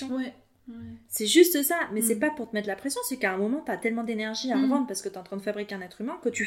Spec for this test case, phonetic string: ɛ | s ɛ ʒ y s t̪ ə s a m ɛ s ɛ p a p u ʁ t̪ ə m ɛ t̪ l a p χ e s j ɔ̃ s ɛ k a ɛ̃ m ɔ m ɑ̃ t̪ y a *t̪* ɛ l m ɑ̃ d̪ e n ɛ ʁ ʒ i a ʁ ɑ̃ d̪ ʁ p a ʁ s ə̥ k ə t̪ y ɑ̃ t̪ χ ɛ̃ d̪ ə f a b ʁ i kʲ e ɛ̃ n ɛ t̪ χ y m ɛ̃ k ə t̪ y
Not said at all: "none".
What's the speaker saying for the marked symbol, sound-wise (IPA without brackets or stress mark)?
t̪